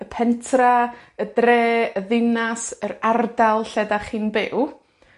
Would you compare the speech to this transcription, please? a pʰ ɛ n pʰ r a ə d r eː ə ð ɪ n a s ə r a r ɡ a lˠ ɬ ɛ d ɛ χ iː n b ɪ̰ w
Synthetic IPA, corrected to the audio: ə pʰ ɛ n tʰ r a ə d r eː ə ð ɪ n a s ə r a r d a lˠ ɬ ɛ d a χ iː n b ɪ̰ w